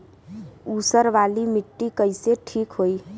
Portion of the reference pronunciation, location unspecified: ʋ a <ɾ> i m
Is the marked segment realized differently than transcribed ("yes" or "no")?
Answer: yes